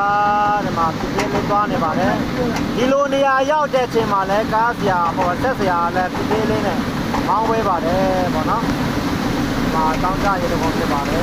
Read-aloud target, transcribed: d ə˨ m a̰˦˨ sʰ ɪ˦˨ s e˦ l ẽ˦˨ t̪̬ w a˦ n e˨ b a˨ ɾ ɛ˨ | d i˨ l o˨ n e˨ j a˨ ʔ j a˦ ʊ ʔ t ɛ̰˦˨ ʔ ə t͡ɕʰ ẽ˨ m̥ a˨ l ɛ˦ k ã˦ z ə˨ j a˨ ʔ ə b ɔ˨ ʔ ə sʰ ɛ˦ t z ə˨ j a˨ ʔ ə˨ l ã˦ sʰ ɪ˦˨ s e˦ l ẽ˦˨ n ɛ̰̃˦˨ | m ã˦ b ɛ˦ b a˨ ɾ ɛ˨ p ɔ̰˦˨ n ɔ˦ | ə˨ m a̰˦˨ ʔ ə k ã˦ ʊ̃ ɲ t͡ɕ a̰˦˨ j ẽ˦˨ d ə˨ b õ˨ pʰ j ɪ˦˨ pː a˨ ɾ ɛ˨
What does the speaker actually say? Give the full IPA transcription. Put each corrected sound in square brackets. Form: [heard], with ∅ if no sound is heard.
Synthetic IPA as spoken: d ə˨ m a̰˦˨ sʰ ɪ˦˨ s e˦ l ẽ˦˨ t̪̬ w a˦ n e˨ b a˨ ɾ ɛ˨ | d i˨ l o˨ n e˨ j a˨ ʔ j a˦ ʊ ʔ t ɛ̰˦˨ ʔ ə t͡ɕʰ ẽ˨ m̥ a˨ l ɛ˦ k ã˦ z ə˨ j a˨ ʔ ə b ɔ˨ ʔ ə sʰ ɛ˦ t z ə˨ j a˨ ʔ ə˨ l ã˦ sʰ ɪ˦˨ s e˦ l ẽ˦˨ n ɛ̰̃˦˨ | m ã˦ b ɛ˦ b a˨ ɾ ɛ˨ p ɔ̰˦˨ n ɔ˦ | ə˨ m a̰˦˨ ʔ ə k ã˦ ʊ̃ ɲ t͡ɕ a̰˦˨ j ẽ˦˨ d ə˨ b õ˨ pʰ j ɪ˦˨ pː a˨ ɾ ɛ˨